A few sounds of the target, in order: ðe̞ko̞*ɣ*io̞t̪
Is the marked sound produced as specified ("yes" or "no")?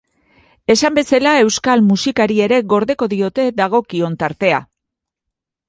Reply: no